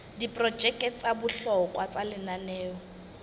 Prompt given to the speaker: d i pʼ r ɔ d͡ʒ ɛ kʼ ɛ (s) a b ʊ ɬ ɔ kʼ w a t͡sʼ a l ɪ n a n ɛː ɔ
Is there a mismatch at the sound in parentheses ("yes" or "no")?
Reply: yes